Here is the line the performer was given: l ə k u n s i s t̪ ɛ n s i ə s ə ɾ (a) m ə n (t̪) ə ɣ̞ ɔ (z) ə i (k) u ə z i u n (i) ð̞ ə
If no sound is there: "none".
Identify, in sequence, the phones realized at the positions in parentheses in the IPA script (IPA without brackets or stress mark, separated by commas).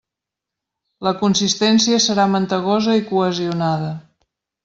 a, t̪, z, k, a